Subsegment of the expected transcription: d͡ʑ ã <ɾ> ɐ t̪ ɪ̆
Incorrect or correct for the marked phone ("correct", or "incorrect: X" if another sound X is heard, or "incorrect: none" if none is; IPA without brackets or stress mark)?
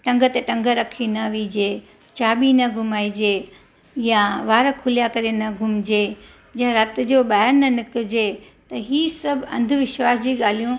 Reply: correct